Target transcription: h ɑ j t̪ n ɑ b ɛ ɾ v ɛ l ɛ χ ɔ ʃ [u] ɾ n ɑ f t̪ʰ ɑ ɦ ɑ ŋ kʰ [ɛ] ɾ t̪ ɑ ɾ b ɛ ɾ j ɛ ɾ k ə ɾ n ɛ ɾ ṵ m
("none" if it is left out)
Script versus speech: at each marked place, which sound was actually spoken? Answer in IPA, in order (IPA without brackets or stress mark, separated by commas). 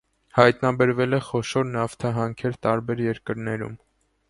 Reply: ɔ, ɛ